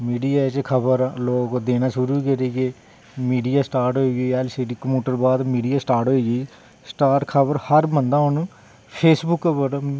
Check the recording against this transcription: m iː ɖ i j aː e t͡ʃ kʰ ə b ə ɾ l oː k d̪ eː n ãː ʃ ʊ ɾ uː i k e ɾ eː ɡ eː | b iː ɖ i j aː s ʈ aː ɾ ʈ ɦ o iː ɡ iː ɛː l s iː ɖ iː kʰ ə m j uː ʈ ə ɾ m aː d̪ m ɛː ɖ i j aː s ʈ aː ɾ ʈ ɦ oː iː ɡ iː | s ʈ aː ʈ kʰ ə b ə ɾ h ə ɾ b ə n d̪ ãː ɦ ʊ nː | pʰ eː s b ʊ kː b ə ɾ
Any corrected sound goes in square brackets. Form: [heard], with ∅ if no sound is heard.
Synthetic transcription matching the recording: m iː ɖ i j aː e t͡ʃ kʰ ə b ə ɾ l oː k d̪ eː n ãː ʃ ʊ ɾ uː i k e ɾ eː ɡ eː | [m] iː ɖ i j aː s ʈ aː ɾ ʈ ɦ o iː ɡ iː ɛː l s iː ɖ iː [k] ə m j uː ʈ ə ɾ [b] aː d̪ m [iː] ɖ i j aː s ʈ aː ɾ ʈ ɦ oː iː ɡ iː | s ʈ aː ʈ kʰ ə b ə ɾ h ə ɾ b ə n d̪ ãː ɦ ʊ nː | pʰ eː s b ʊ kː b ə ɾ

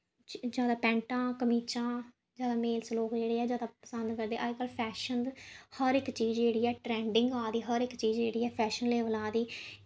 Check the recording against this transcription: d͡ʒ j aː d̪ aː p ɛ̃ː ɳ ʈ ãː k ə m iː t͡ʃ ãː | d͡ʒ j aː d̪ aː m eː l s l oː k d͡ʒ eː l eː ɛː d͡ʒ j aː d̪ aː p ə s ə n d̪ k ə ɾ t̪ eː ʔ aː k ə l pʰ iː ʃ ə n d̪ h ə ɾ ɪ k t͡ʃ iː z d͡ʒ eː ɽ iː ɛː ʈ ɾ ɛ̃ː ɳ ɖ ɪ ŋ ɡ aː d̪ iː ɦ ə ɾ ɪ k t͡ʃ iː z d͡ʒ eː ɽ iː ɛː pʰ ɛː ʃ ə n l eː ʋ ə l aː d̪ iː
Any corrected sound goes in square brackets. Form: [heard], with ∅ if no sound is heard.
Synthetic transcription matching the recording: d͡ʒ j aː d̪ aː p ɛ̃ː ɳ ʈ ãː k ə m iː t͡ʃ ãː | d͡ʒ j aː d̪ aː m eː l s l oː k d͡ʒ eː [ɽ] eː ɛː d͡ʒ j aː d̪ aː p ə s ə n d̪ k ə ɾ [d̪] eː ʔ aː k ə l pʰ [ɛː] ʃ ə n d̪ h ə ɾ ɪ k t͡ʃ iː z d͡ʒ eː ɽ iː ɛː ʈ ɾ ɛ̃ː ɳ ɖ ɪ ŋ ɡ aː d̪ iː ɦ ə ɾ ɪ k t͡ʃ iː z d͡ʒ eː ɽ iː ɛː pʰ ɛː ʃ ə n l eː ʋ ə l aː d̪ iː

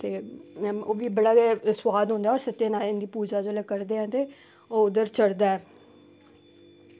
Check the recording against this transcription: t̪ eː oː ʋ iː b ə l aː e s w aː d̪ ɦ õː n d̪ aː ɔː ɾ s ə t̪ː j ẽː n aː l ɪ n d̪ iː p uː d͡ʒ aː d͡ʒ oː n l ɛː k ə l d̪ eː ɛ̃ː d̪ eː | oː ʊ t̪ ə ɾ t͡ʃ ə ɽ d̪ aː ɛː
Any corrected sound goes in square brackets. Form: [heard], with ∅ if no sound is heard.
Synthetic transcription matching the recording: t̪ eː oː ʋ iː b ə [ɽ] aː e s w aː d̪ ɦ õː n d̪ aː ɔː ɾ s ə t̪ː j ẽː n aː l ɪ n d̪ iː p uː d͡ʒ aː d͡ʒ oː [∅] l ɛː k ə [ɾ] d̪ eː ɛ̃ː [t̪] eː | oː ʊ [d̪] ə ɾ t͡ʃ ə ɽ d̪ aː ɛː

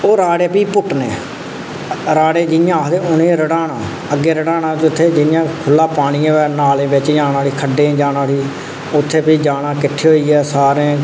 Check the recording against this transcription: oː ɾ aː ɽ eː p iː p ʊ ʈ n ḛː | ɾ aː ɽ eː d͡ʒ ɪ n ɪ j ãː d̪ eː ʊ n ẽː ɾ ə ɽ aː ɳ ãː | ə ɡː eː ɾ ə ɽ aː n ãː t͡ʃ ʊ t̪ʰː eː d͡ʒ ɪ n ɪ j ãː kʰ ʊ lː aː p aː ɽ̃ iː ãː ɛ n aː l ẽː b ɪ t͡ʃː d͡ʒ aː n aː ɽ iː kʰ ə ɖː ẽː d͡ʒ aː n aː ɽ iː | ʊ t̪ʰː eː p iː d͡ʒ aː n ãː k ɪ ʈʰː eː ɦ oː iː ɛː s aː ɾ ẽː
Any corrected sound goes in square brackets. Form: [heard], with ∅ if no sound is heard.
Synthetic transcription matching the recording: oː ɾ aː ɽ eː p iː p ʊ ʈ n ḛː | ɾ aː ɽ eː d͡ʒ ɪ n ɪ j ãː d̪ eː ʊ n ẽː ɾ ə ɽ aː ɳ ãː | ə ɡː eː ɾ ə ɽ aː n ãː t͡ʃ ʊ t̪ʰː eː d͡ʒ ɪ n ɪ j ãː kʰ ʊ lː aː p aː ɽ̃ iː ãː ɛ n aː l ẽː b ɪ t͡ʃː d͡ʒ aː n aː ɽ iː kʰ ə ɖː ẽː d͡ʒ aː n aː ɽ iː | ʊ t̪ʰː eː p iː d͡ʒ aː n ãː k ɪ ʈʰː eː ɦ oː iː ɛː s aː ɾ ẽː

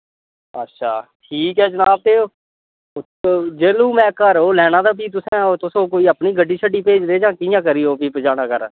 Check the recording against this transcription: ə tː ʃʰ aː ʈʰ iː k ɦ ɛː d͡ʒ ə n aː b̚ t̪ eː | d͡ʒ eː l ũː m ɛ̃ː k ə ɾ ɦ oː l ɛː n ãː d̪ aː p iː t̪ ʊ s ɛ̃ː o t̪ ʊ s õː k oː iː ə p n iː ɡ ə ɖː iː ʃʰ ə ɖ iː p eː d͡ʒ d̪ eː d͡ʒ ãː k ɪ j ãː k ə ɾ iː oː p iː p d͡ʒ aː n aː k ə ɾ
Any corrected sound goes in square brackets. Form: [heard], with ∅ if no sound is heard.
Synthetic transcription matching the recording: ə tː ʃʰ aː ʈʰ iː k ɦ ɛː d͡ʒ ə n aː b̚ t̪ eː | d͡ʒ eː l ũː m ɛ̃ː k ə ɾ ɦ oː l ɛː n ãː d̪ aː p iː t̪ ʊ s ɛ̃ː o t̪ ʊ s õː k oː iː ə p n iː ɡ ə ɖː iː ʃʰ ə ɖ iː p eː d͡ʒ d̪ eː d͡ʒ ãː k ɪ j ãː k ə ɾ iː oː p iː p d͡ʒ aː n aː k ə ɾ

